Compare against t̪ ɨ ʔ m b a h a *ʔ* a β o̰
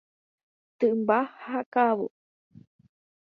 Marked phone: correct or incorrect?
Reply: incorrect